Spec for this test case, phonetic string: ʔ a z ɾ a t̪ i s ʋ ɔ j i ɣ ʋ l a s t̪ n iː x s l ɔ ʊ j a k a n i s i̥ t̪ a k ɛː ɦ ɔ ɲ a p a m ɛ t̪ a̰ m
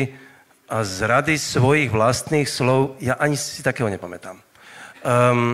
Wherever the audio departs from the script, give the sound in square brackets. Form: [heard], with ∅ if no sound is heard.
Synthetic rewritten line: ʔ a z ɾ a [d̪] i s ʋ ɔ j i ɣ ʋ l a s t̪ n iː x s l ɔ ʊ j a [ʔ] a [ɲ] i s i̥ t̪ a k ɛː ɦ ɔ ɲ [ɛ] p a m ɛ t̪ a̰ m